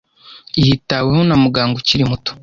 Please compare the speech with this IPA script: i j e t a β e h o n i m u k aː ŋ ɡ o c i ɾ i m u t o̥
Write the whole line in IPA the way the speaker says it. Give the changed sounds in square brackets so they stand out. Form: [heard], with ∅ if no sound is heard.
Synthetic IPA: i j [i] t a [w] e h o n [a] m u [ɡ] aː ŋ ɡ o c i ɾ i m u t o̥